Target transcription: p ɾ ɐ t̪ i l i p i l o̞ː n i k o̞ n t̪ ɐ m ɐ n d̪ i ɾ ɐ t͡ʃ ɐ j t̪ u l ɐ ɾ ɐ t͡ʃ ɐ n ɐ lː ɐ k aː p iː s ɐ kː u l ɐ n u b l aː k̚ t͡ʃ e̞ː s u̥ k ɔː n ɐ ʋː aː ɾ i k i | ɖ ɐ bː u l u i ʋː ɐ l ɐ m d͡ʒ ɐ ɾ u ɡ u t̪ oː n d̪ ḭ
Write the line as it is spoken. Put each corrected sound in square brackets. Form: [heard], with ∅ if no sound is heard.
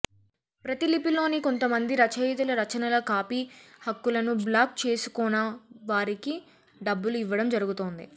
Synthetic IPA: p ɾ ɐ t̪ i l i p i l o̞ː n i k o̞ n t̪ ɐ m ɐ n d̪ i ɾ ɐ t͡ʃ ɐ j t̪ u l ɐ ɾ ɐ t͡ʃ ɐ n ɐ [l] ɐ k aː p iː [h] ɐ kː u l ɐ n u b l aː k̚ t͡ʃ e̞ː s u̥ k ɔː n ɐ [ʋ] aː ɾ i k i | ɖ ɐ bː u l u i ʋː ɐ [ɽ] ɐ m d͡ʒ ɐ ɾ u ɡ u t̪ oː n d̪ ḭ